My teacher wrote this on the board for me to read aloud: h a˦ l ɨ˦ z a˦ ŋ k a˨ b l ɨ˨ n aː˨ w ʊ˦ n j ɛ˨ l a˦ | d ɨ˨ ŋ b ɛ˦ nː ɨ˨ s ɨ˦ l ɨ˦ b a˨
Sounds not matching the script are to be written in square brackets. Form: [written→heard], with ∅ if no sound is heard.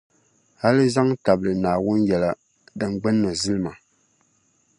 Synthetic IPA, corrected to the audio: h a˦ l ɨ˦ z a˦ ŋ [k→t] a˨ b l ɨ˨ n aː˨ w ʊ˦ n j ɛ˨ l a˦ | d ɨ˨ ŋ [b→ɡ͡b] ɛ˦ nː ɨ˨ [s→z] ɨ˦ l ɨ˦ [b→m] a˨